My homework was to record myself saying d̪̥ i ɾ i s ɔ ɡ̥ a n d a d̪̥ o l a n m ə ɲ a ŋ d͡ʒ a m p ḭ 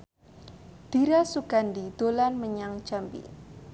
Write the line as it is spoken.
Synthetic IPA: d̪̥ i ɾ a s u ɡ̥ a n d i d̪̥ o l a n m ə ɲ a ŋ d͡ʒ a m p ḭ